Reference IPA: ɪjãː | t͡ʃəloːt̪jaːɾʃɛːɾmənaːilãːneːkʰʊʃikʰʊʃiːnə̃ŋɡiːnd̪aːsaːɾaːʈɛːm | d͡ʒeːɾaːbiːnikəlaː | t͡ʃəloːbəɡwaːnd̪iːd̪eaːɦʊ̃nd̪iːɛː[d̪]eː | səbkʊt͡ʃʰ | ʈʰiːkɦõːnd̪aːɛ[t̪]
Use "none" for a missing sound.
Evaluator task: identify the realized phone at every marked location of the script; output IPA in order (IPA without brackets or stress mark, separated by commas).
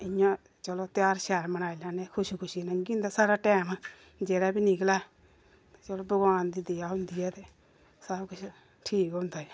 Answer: t̪, none